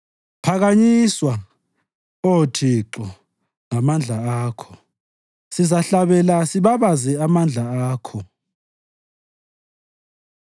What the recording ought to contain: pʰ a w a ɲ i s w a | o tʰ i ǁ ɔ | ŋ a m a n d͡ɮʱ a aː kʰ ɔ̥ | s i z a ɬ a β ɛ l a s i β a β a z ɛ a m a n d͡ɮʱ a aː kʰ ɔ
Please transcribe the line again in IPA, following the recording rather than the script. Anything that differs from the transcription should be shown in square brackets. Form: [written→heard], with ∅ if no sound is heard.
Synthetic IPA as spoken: pʰ a [w→ɣ] a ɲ i s w a | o tʰ i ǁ ɔ | ŋ a m a n d͡ɮʱ a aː kʰ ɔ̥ | s i z a ɬ a β ɛ l a s i β a β a z ɛ a m a n d͡ɮʱ a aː kʰ ɔ

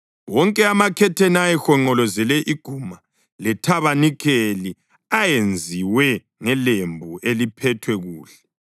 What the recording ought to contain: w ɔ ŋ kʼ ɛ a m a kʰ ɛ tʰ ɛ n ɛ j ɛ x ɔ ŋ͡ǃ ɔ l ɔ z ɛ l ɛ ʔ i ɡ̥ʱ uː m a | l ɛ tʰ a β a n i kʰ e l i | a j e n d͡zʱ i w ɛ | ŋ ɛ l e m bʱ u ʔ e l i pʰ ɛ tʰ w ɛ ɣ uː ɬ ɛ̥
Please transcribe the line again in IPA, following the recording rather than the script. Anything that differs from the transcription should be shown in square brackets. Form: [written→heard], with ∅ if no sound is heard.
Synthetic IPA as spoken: w ɔ ŋ kʼ ɛ a m a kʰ ɛ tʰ ɛ n [ɛ→a] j ɛ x ɔ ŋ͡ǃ ɔ l ɔ z ɛ l ɛ ʔ i ɡ̥ʱ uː m a | l ɛ tʰ a β a n i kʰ e l i | a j e n d͡zʱ i w ɛ | ŋ ɛ l e m bʱ u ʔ e l i pʰ ɛ tʰ w ɛ ɣ uː ɬ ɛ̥

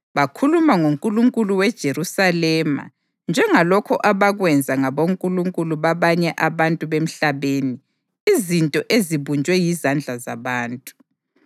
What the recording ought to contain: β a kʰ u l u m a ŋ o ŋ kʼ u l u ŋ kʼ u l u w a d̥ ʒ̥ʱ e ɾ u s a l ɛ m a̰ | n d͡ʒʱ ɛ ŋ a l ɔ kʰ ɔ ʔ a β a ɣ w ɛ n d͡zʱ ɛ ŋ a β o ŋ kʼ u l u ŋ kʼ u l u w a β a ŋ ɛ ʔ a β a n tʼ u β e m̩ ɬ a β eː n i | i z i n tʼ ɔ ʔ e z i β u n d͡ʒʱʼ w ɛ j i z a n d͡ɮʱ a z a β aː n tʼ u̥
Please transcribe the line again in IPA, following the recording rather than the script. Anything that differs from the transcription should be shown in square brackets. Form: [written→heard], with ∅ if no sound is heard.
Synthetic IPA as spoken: β a kʰ u l u m a ŋ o ŋ kʼ u l u ŋ kʼ u l u w [a→ɛ] d̥ ʒ̥ʱ e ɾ u s a l ɛ m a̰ | n d͡ʒʱ ɛ ŋ a l ɔ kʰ ɔ ʔ a β a ɣ w ɛ n d͡zʱ [ɛ→a] ŋ a β o ŋ kʼ u l u ŋ kʼ u l u [w→β] a β a [ŋ→ɲ] ɛ ʔ a β a n tʼ u β e m̩ ɬ a β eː n i | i z i n tʼ ɔ ʔ e z i β u n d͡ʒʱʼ w ɛ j i z a n d͡ɮʱ a z a β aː n tʼ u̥

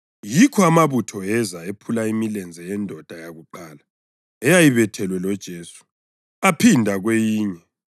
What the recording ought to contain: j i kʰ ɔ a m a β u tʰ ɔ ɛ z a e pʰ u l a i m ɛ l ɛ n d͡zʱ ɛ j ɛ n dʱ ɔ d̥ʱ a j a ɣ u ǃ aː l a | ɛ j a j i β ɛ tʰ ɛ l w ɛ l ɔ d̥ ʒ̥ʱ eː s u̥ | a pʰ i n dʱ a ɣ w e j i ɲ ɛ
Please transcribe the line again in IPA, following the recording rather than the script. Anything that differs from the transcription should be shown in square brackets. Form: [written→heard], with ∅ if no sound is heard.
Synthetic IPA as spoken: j i kʰ ɔ a m a β u tʰ ɔ ɛ z a e pʰ u l a i m [ɛ→i] l ɛ n d͡zʱ ɛ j ɛ n dʱ ɔ d̥ʱ a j a ɣ u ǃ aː l a | ɛ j a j i β ɛ tʰ ɛ l w ɛ l ɔ d̥ ʒ̥ʱ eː s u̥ | a pʰ i n dʱ a ɣ w e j [i→iː] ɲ ɛ

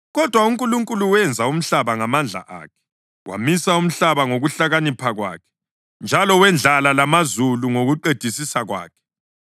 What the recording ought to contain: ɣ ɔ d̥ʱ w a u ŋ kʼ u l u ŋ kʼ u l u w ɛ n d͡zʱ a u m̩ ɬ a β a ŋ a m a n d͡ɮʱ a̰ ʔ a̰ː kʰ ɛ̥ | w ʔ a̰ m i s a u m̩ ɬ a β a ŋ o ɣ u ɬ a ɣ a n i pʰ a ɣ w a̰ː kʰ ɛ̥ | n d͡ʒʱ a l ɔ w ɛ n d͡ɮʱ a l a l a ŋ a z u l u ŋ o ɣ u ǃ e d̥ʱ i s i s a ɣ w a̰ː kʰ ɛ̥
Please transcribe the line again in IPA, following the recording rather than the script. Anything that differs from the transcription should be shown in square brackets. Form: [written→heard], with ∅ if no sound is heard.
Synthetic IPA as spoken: ɣ ɔ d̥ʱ w a u ŋ kʼ u l u ŋ kʼ u l u w ɛ n d͡zʱ a u m̩ ɬ a β a ŋ a m a n d͡ɮʱ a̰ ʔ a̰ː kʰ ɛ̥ | w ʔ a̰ m i s a u m̩ ɬ a β a ŋ o ɣ u ɬ a ɣ a n i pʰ a ɣ w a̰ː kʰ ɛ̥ | n d͡ʒʱ a l ɔ w ɛ n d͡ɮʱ a l a l a [ŋ→m] a z u l u ŋ o ɣ u ǃ e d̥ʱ i s i s a ɣ w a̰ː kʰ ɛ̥

